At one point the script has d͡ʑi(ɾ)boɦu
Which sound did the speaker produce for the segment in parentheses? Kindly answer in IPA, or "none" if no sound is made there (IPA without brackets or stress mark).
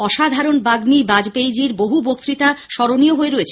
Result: ɾ